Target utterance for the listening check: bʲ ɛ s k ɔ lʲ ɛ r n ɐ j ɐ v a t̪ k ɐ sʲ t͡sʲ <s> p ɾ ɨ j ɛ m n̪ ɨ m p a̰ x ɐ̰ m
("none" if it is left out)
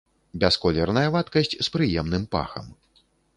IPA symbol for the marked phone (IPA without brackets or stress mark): s